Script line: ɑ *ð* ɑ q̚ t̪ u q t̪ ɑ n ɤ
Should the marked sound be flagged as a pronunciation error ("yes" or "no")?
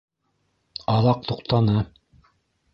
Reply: no